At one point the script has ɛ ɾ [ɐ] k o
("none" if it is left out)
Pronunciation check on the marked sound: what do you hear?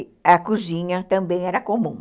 ɐ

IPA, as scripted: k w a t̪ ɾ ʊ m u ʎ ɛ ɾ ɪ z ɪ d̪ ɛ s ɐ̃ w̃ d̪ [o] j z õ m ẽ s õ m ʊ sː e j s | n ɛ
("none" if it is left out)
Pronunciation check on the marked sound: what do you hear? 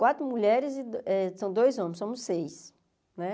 o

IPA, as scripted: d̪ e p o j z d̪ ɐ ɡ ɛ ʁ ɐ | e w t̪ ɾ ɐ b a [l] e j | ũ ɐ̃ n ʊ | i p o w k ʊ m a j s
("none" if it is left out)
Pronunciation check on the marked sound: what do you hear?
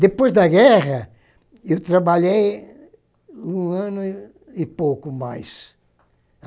ʎ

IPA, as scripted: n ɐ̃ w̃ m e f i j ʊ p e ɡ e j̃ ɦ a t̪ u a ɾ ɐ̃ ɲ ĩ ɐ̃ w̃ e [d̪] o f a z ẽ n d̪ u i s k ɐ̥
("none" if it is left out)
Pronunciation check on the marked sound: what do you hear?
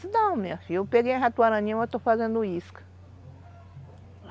t̪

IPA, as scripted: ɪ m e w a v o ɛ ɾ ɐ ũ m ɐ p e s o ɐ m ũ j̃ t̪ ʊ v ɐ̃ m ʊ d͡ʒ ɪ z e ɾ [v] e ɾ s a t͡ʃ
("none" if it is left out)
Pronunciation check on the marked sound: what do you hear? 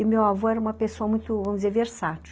v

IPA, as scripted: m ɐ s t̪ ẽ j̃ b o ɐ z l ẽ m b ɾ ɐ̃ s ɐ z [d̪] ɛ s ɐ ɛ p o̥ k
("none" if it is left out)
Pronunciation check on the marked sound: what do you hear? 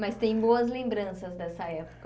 d̪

